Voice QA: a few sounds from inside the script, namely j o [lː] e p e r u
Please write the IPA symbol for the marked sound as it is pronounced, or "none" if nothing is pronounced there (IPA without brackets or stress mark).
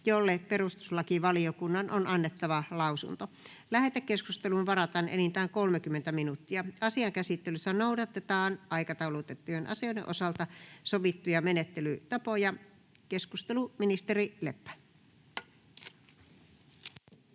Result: lː